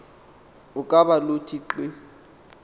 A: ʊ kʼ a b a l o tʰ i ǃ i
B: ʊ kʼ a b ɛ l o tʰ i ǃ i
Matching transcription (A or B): A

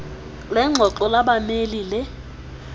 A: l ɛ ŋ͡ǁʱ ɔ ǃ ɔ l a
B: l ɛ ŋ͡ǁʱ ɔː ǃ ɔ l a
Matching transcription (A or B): A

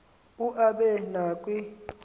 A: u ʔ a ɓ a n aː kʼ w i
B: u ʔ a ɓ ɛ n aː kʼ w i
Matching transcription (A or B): B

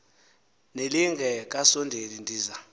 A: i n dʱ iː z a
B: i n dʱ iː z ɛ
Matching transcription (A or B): A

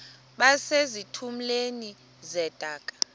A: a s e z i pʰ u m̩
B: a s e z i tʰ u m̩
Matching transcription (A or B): B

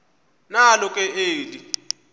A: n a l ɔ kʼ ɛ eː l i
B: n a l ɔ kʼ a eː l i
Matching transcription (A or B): A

